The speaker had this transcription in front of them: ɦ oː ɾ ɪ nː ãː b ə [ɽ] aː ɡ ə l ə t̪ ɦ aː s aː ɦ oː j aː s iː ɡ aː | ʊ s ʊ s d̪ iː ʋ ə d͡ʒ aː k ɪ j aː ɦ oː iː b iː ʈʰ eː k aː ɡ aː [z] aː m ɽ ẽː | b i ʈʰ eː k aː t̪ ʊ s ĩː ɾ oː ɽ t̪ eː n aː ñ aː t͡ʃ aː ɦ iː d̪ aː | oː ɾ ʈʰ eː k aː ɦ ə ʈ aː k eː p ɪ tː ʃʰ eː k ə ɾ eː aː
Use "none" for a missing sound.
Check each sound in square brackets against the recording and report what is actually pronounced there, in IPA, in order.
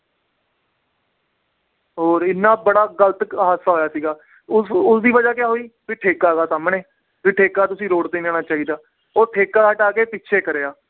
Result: ɽ, s

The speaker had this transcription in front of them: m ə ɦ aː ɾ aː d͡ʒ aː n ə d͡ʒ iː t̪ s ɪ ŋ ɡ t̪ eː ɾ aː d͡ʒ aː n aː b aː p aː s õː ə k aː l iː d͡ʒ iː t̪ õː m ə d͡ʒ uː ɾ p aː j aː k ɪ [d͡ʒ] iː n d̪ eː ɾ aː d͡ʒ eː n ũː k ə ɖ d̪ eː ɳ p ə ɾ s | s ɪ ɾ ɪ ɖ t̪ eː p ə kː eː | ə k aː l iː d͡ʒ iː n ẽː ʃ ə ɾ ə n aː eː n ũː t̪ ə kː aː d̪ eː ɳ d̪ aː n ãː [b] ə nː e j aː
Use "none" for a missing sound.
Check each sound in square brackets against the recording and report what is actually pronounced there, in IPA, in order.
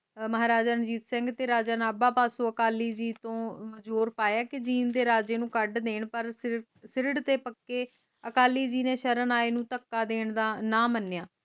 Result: d͡ʒ, m

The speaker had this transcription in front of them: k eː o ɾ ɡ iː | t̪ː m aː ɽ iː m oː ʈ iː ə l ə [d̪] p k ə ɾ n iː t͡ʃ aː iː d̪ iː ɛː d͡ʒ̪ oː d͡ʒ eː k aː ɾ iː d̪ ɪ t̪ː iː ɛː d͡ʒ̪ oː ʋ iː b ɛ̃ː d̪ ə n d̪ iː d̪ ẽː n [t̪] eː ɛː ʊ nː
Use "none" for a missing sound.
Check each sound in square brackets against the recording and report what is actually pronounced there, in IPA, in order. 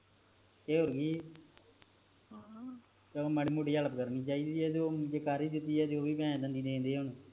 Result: none, d̪

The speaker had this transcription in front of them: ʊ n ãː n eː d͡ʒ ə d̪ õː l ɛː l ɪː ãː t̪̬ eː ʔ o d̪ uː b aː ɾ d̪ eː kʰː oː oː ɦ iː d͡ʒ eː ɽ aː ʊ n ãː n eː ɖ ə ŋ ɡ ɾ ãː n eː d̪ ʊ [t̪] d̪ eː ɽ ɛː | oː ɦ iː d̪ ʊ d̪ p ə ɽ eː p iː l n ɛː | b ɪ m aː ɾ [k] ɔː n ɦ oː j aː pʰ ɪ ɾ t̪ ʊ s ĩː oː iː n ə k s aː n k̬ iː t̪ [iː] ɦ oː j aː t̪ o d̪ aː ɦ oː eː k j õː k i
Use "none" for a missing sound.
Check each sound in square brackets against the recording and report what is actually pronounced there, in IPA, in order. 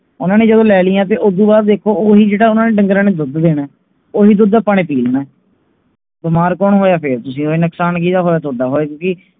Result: d̪, k, aː

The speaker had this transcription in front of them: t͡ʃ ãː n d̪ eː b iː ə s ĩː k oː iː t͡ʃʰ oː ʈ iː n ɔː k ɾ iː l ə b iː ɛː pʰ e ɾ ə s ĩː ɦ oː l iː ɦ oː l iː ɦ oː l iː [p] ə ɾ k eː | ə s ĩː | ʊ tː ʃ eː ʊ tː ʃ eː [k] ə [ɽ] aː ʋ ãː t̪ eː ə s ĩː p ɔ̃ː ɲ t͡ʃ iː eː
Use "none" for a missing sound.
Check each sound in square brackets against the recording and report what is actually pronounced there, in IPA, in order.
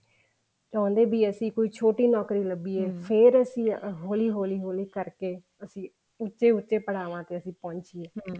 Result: k, p, ɽ

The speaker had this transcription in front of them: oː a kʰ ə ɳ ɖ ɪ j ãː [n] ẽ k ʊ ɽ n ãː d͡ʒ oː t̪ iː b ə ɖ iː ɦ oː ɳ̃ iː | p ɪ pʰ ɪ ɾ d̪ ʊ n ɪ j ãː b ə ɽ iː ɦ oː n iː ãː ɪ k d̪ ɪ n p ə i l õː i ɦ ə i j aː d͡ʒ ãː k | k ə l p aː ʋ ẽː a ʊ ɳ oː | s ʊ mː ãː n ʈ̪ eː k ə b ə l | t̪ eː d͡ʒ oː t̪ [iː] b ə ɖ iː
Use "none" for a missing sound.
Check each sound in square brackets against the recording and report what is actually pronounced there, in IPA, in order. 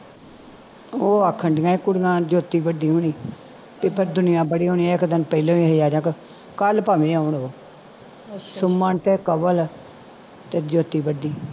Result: none, iː

